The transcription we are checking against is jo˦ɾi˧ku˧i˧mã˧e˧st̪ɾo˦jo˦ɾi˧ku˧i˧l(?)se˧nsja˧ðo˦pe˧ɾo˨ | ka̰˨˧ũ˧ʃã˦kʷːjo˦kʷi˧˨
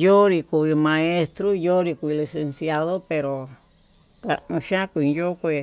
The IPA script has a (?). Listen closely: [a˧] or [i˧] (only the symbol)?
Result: i˧